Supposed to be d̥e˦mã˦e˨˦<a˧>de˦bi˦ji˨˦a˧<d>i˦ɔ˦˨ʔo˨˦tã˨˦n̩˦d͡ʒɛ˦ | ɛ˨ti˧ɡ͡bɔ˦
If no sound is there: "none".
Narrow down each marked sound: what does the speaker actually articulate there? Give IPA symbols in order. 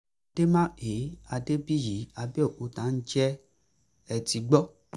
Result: a˧, b

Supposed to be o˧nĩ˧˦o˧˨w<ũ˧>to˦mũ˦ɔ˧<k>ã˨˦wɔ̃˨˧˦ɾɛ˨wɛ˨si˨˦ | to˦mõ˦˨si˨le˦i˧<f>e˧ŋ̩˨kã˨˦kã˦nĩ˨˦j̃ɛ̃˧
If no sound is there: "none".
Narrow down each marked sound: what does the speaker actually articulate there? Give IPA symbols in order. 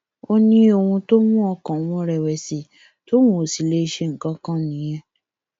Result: ũ˧, k, ʃ

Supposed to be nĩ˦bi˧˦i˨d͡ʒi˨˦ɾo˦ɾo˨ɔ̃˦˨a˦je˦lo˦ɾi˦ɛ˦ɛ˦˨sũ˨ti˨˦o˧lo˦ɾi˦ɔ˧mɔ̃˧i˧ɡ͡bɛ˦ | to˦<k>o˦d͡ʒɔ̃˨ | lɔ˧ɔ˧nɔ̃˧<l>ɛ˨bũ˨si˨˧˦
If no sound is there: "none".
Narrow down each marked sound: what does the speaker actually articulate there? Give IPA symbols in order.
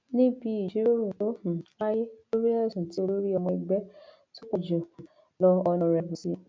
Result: k, ɾ

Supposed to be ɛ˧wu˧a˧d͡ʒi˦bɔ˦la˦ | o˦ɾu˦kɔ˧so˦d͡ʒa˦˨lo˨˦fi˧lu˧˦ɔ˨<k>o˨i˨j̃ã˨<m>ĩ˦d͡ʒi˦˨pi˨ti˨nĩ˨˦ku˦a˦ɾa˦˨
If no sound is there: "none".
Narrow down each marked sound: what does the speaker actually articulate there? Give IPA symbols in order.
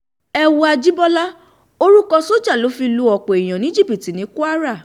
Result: k͡p, n

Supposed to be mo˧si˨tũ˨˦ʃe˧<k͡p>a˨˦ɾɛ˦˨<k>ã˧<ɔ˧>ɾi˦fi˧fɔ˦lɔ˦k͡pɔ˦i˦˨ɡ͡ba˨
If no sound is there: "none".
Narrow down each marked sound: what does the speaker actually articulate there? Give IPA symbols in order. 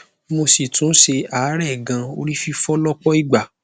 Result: none, ɡ, o˧

